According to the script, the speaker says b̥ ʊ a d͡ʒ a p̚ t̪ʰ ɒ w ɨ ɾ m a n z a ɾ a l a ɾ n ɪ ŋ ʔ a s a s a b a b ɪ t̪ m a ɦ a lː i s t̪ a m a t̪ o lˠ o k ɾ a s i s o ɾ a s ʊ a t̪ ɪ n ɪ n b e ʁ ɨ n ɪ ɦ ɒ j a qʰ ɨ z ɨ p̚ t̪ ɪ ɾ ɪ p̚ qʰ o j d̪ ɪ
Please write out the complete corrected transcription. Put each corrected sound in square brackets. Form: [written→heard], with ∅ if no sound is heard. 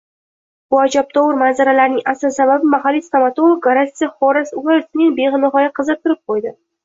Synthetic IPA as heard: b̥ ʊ a d͡ʒ a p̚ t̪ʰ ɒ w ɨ ɾ m a n z a ɾ a l a ɾ n ɪ ŋ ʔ a s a s a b a b ɪ [t̪→∅] m a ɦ a lː i s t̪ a m a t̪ o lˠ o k ɾ a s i [s→χ] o ɾ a s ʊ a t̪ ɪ n ɪ [n→ŋ] b e ʁ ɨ n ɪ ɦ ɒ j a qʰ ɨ z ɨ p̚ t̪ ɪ ɾ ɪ p̚ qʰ o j d̪ ɪ

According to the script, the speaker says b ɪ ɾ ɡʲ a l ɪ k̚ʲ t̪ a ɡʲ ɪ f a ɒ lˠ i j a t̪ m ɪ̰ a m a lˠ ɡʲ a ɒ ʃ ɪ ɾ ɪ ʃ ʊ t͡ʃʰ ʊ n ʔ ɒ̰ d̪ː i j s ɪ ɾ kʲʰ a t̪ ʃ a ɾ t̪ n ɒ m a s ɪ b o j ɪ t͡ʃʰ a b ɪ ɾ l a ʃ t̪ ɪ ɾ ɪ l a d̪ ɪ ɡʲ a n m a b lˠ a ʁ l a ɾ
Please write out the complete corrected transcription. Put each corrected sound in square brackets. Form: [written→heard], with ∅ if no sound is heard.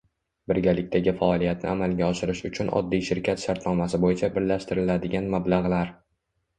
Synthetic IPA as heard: b ɪ ɾ ɡʲ a l ɪ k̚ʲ t̪ a ɡʲ ɪ f a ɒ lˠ i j a t̪ [m→n] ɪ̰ a m a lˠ ɡʲ a ɒ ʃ ɪ ɾ ɪ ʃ ʊ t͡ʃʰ ʊ n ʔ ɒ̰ d̪ː i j [s→ʃ] ɪ ɾ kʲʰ a t̪ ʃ a ɾ t̪ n ɒ m a s ɪ b o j ɪ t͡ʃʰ a b ɪ ɾ l a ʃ t̪ ɪ ɾ ɪ l a d̪ ɪ ɡʲ a n m a b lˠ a ʁ l a ɾ

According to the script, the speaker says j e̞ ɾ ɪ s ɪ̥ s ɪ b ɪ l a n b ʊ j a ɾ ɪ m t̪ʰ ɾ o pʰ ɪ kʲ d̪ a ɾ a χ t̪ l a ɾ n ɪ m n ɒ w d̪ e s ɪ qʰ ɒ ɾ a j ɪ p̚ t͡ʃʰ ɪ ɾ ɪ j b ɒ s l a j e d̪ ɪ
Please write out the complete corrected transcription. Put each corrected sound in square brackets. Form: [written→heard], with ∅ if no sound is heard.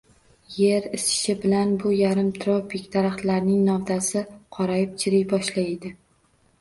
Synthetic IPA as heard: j e̞ ɾ ɪ s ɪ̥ [s→ʃ] ɪ b ɪ l a n b ʊ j a ɾ ɪ m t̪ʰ ɾ o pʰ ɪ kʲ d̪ a ɾ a χ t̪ l a ɾ n ɪ [m→ŋ] n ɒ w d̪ [e→a] s ɪ qʰ ɒ ɾ a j ɪ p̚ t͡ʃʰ ɪ ɾ ɪ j b ɒ [s→ʃ] l a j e d̪ ɪ

